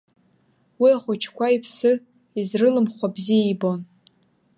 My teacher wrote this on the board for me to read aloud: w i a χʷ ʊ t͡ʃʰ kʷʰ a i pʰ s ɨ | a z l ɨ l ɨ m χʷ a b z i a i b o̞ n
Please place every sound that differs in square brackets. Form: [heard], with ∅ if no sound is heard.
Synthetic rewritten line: w i a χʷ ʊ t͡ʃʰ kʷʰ a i pʰ s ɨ | [i] z [r] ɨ l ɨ m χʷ a b z i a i b o̞ n